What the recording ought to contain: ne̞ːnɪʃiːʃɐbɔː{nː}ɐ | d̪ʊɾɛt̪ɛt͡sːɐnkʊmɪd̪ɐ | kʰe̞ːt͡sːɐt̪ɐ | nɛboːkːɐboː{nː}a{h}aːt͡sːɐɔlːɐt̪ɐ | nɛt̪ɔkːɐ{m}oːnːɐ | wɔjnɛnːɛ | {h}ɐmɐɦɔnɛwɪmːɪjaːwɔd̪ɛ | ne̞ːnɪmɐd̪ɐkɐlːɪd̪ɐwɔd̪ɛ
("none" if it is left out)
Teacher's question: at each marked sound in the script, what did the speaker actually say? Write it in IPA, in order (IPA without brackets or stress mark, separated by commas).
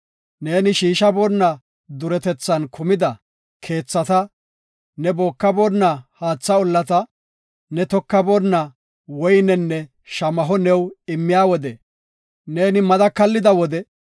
nː, nː, h, b, ʃ